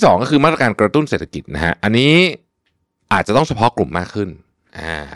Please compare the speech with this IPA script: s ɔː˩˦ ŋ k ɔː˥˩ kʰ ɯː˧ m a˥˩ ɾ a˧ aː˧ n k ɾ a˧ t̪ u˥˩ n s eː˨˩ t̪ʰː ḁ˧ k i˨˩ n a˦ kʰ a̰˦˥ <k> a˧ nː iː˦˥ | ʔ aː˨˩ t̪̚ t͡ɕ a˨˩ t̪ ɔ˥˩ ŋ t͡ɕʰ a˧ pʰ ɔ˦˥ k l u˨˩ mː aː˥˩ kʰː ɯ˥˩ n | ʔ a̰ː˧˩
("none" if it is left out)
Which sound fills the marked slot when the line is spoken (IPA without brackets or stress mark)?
ʔ